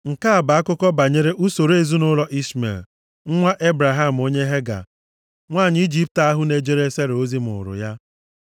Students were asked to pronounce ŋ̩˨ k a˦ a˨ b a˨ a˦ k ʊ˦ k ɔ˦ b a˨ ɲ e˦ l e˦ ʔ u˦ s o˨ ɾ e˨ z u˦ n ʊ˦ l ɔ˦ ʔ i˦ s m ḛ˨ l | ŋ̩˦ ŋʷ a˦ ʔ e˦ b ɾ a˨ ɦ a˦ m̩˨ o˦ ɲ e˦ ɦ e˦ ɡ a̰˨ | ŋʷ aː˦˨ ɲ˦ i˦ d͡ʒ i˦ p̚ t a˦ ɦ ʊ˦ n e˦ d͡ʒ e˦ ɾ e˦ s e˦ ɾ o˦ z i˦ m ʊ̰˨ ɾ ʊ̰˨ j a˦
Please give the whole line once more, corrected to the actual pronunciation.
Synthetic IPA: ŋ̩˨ k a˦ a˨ b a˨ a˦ k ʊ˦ k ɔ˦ b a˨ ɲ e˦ ɾ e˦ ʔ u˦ s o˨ ɾ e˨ z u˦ n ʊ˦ l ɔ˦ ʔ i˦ s m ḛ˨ l | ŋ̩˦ ŋʷ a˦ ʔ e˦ b ɾ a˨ ɦ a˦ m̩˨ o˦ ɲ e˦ ɦ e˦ ɡ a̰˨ | ŋʷ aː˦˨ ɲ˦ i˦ d͡ʒ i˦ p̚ t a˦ ɦ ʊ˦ n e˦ d͡ʒ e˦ ɾ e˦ s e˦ ɾ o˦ z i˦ m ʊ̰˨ ɾ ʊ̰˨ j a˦